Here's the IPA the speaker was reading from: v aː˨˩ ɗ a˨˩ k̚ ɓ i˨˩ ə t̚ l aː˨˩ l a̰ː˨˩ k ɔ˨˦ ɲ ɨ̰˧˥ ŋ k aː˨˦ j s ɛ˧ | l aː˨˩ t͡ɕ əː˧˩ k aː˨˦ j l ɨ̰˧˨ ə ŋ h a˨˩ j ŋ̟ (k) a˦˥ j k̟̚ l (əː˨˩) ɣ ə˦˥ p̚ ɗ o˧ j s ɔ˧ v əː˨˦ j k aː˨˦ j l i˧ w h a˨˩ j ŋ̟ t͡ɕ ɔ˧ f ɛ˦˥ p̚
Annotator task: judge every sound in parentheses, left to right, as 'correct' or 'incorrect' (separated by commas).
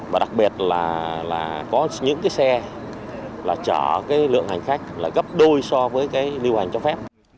incorrect, incorrect